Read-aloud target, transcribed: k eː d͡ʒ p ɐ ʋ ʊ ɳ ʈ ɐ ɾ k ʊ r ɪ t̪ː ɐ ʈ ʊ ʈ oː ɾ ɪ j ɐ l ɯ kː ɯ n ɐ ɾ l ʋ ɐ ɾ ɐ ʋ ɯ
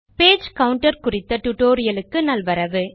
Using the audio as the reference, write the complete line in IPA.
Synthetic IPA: p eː d͡ʒ k ɐ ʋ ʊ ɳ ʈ ɐ ɾ k ʊ r ɪ t̪ː ɐ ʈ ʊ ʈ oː ɾ ɪ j ɐ l ɯ kː ɯ n ɐ l ʋ ɐ ɾ ɐ ʋ ɯ